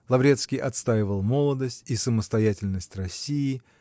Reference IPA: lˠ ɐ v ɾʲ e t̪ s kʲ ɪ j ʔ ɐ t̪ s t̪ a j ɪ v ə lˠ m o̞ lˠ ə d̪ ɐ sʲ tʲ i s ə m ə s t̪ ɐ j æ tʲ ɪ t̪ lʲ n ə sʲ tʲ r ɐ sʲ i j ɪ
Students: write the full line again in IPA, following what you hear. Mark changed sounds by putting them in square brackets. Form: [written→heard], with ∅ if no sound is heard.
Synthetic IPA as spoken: lˠ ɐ v ɾʲ e t̪ s kʲ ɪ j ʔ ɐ t̪ s t̪ a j ɪ v ə lˠ m o̞ lˠ ə d̪ [ɐ→ə] sʲ tʲ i s ə m ə s t̪ ɐ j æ tʲ ɪ [t̪→∅] lʲ n ə sʲ tʲ r ɐ sʲ i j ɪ